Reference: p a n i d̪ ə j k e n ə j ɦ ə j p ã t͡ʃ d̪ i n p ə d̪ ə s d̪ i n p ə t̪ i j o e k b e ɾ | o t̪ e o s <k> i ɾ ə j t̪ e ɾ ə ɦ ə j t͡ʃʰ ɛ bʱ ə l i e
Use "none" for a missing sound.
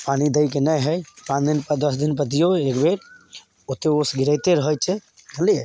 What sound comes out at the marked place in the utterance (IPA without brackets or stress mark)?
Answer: ɡ